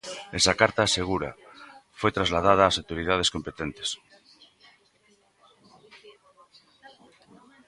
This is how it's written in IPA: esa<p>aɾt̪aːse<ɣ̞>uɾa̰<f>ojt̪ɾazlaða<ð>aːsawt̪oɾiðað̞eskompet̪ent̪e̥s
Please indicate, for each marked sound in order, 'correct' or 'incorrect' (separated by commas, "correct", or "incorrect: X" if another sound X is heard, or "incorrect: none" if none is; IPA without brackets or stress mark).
incorrect: k, correct, correct, correct